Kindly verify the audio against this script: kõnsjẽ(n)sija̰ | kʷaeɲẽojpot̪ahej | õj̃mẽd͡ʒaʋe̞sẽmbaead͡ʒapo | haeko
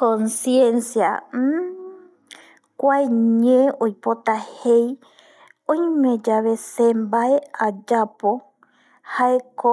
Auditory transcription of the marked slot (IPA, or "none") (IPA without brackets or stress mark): n